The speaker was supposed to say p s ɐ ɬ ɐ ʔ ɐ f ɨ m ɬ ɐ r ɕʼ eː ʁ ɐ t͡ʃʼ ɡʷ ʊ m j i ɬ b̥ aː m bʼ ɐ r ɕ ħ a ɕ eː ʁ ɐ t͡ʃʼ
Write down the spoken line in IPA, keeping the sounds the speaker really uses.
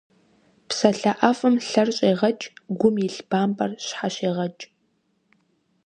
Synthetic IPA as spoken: p s ɐ ɬ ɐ ʔ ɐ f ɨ m ɬ ɐ r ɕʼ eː ʁ ɐ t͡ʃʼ ɡʷ ʊ m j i ɬ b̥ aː m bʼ ɐ r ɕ ħ a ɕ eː ʁ ɐ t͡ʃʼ

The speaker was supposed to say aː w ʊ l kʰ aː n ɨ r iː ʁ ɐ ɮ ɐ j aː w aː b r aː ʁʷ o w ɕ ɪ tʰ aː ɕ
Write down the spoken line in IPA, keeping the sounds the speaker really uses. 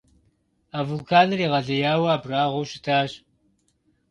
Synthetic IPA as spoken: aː v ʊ l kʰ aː n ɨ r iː ʁ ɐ ɮ ɐ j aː w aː b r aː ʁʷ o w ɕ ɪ tʰ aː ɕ

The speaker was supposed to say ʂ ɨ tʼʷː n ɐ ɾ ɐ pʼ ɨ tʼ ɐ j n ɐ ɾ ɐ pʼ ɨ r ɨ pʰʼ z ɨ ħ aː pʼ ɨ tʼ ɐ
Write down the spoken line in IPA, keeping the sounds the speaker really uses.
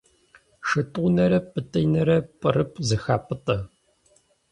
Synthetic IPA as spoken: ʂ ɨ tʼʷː n ɐ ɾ ɐ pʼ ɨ tʼ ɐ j n ɐ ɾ ɐ pʼ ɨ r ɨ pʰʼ z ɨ x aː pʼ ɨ tʼ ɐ

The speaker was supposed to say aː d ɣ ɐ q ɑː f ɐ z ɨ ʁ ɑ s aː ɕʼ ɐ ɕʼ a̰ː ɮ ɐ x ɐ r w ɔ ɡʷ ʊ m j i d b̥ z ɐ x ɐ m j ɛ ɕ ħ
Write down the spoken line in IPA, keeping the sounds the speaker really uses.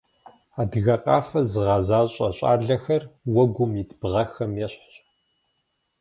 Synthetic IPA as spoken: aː d ɣ ɐ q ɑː f ɐ z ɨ ʁ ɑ z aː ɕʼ ɐ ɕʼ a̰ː ɮ ɐ x ɐ r w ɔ ɡʷ ʊ m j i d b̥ ʁ ɐ x ɐ m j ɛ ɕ ħ

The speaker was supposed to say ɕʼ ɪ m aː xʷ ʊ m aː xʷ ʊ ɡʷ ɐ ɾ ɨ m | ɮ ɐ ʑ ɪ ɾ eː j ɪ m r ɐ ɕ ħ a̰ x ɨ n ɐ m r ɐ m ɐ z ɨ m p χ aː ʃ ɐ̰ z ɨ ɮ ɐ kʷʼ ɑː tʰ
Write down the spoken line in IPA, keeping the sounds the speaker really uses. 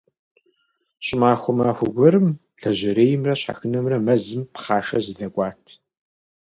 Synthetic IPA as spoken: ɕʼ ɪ m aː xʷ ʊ m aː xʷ ʊ ɡʷ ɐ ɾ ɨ m | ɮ ɐ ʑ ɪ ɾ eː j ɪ m r ɐ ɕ ħ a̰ x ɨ n ɐ m r ɐ m ɐ z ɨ m p χ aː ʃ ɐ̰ z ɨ ɮ ɐ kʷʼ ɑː tʰ

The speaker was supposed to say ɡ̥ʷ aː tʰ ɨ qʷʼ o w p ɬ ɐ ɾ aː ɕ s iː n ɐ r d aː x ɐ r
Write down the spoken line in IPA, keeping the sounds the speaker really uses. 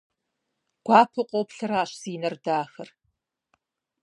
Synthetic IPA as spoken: ɡ̥ʷ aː pʰ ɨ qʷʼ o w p ɬ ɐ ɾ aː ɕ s iː n ɐ r d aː x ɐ r

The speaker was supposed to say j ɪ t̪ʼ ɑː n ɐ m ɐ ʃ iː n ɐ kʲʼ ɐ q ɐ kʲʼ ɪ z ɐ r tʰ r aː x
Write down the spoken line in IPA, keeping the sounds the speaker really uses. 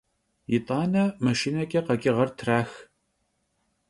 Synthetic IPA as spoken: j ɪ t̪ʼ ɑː n ɐ m ɐ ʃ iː n ɐ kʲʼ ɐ q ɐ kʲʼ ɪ ʁ ɐ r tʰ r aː x

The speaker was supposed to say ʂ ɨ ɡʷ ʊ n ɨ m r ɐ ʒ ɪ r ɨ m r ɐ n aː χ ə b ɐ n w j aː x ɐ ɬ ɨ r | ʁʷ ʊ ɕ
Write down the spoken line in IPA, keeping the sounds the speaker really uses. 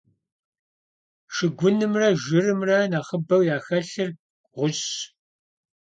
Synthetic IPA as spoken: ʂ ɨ ɡʷ ʊ n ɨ m r ɐ ʒ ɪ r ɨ m r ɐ n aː χ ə b ɐ w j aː x ɐ ɬ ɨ r | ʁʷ ʊ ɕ

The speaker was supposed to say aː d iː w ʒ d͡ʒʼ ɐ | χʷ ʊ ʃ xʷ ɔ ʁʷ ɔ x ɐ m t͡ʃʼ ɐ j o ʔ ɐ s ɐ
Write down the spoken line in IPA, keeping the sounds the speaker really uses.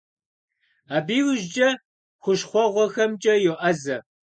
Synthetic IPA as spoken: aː b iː w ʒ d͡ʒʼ ɐ | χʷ ʊ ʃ χʷ ɔ ʁʷ ɔ x ɐ m t͡ʃʼ ɐ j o ʔ ɐ z ɐ

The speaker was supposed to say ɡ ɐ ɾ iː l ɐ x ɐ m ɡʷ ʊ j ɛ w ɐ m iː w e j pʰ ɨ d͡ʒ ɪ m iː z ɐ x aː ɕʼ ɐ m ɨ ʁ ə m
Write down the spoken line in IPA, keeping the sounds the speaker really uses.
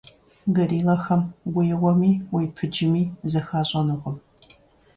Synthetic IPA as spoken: ɡ ɐ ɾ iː l ɐ x ɐ m ɡʷ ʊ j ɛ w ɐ m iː w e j pʰ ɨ d͡ʒ ɪ m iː z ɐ x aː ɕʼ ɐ n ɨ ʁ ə m

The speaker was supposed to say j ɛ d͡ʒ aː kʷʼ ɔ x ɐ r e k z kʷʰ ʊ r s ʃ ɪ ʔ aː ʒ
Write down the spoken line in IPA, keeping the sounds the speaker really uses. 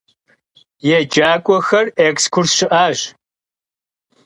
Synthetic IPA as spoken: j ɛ d͡ʒ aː kʷʼ ɔ x ɐ r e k s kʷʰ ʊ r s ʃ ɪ ʔ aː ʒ

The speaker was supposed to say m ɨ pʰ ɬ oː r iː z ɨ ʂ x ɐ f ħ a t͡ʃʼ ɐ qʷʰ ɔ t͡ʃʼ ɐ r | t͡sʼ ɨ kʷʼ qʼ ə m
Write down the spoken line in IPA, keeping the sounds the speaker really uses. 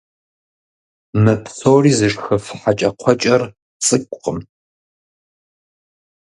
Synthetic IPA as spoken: m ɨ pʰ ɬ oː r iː z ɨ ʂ x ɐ f ħ a t͡ʃʼ ɐ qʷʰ ɔ t͡ʃʼ ɐ r | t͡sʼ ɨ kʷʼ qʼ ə m

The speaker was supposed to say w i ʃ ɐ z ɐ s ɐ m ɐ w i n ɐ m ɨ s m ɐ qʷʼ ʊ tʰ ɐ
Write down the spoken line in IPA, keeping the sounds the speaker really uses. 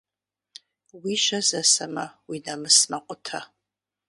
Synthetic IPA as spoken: w i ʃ ɐ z ɐ s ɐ m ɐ w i n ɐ m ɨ s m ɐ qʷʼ ʊ tʰ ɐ

